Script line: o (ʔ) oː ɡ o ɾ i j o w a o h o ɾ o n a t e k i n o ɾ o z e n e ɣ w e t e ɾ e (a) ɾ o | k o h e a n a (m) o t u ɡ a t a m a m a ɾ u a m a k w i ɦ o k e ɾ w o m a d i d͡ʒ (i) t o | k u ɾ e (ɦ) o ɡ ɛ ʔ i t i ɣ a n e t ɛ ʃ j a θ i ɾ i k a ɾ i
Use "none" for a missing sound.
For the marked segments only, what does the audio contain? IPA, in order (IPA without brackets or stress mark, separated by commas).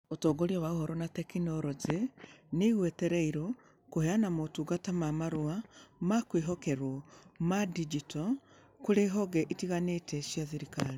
t, i, m, i, ɦ